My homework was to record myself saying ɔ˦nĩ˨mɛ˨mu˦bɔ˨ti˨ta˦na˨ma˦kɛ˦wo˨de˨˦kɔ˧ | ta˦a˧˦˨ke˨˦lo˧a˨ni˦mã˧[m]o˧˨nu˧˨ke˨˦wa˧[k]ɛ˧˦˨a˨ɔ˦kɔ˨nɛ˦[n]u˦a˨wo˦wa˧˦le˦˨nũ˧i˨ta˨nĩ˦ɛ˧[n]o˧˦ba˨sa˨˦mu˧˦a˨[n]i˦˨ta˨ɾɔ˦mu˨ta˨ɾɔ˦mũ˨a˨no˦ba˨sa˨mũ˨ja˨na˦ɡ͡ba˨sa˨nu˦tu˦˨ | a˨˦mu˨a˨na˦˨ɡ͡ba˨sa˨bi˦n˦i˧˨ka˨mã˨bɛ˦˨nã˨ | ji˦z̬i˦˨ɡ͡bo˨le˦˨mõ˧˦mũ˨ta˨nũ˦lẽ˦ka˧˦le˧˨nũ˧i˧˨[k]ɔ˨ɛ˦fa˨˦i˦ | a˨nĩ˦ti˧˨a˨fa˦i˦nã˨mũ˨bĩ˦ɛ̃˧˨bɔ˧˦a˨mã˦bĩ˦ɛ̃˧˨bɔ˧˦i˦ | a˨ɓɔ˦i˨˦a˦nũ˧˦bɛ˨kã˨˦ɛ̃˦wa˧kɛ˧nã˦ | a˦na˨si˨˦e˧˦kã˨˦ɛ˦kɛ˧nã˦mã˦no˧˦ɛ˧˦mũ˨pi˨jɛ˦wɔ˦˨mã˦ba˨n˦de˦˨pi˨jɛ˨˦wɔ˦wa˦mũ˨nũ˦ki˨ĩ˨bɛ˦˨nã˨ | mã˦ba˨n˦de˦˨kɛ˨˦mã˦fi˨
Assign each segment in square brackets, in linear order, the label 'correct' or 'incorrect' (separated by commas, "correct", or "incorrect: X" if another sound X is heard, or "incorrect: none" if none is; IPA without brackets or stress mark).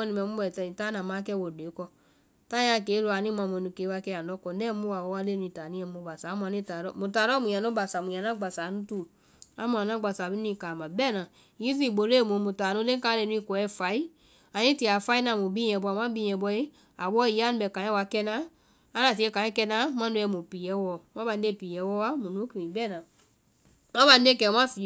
correct, correct, incorrect: m, incorrect: m, correct, correct